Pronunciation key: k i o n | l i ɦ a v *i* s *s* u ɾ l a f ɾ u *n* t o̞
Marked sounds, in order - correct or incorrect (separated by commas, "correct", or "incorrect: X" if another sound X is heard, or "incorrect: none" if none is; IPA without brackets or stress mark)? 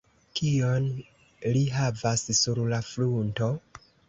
incorrect: a, correct, correct